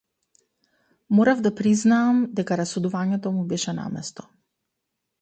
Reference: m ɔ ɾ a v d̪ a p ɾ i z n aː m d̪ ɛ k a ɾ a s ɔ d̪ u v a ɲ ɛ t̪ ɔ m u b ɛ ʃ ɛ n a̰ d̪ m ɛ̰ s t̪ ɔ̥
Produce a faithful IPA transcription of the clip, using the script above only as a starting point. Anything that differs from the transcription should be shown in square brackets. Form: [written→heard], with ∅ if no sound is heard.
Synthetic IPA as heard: m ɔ ɾ a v d̪ a p ɾ i z n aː m d̪ ɛ k a ɾ a s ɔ d̪ u v a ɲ ɛ t̪ ɔ m u b ɛ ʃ ɛ n a̰ [d̪→∅] m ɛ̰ s t̪ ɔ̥